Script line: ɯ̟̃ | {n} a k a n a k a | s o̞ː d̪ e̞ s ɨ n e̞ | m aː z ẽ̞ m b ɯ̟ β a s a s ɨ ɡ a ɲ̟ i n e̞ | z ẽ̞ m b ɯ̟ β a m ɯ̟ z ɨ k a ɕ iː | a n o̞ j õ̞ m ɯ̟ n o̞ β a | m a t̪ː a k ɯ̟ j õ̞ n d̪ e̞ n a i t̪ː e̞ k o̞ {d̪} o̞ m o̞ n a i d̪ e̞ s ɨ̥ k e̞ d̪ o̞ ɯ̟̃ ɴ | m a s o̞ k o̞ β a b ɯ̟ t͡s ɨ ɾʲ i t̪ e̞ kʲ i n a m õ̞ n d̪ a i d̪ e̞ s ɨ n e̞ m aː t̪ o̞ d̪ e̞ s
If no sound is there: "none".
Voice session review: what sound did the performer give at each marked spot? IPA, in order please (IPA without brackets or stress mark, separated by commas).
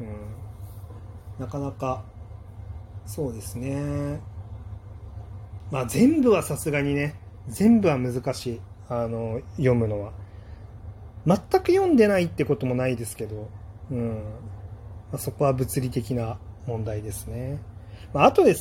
n, t̪